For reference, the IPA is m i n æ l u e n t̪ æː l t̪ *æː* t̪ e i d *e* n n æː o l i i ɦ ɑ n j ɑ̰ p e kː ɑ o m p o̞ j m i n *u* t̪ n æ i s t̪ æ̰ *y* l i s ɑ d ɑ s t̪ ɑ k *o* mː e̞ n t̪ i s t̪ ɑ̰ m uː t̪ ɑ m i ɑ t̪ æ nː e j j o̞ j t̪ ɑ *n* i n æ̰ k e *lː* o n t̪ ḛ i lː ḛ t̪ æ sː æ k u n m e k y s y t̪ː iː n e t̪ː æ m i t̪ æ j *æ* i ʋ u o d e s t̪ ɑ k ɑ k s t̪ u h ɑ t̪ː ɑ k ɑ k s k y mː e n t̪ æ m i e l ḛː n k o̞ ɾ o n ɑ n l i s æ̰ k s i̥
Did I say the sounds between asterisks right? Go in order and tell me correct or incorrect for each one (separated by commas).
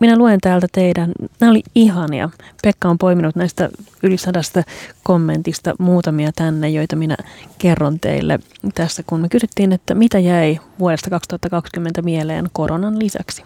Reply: incorrect, incorrect, correct, correct, correct, incorrect, incorrect, correct